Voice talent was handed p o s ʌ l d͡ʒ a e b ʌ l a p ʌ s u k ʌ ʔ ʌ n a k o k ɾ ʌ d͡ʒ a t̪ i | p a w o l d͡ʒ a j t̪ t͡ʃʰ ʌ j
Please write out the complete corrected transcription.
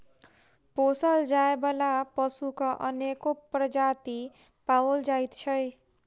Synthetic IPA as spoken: p o s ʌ l d͡ʒ a e b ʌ l a p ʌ s u k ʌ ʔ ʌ n e k o p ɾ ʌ d͡ʒ a t̪ i | p a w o l d͡ʒ a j t̪ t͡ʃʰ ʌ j